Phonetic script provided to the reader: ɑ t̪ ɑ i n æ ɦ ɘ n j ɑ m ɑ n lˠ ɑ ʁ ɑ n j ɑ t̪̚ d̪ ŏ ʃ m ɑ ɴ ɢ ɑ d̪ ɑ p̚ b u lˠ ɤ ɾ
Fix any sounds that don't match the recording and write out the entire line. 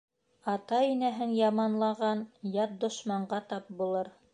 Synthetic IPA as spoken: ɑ t̪ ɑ i n æ ɦ ɘ n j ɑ m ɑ n lˠ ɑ ʁ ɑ n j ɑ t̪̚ d̪ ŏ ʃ m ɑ ɴ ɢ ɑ t̪ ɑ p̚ b u lˠ ɤ ɾ